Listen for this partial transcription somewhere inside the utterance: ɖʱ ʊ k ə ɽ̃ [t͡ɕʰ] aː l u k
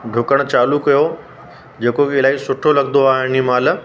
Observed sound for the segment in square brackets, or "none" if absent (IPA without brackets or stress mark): t͡ɕ